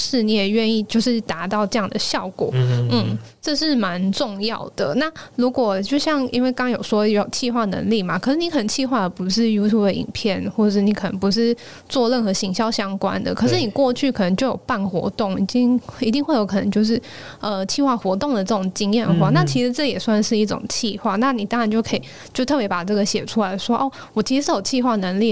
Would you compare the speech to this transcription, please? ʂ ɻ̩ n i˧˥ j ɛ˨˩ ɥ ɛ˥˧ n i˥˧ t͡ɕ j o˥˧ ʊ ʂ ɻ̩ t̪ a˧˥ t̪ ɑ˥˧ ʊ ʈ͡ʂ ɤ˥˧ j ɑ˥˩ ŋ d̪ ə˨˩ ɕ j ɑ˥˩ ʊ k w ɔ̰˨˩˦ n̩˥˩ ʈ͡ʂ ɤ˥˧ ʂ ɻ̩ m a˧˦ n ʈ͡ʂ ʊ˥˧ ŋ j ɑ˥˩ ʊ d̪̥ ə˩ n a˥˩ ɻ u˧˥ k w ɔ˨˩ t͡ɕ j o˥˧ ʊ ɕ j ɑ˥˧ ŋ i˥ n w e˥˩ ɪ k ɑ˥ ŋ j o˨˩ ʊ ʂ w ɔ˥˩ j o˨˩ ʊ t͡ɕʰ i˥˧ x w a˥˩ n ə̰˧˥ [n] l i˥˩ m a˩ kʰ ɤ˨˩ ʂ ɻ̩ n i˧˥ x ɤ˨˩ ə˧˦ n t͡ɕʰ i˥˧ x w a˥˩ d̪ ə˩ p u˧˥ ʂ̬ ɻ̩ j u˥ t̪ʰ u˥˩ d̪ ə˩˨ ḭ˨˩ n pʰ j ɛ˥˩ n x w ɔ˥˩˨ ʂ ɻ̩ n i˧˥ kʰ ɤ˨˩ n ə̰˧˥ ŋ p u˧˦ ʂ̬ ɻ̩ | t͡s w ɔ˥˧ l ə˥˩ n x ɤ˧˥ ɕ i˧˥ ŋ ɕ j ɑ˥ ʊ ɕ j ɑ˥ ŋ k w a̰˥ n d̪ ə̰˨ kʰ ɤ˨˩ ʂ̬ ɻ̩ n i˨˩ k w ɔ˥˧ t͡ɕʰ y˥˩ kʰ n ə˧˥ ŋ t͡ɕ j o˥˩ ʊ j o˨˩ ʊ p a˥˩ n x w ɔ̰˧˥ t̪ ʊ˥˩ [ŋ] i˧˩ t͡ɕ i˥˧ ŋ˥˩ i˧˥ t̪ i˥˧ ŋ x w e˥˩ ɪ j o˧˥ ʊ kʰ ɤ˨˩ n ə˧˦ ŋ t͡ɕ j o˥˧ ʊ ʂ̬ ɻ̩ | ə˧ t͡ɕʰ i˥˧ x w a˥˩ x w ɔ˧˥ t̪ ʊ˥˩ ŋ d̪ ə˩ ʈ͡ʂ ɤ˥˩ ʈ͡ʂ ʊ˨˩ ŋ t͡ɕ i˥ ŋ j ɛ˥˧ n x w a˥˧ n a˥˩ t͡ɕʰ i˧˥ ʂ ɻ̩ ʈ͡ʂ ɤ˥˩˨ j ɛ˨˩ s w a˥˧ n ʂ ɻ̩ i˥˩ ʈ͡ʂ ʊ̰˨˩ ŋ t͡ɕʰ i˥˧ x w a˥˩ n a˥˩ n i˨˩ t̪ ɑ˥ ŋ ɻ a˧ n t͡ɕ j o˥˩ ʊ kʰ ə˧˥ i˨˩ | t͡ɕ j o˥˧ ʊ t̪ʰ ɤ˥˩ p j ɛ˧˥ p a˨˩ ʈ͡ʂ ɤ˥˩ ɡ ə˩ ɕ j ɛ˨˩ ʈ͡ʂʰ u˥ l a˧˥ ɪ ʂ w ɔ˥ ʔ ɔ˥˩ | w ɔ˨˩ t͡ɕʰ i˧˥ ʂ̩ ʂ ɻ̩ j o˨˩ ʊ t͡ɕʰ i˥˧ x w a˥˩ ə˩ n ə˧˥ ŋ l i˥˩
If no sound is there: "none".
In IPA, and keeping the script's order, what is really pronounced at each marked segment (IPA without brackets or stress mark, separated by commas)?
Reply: ŋ, ŋ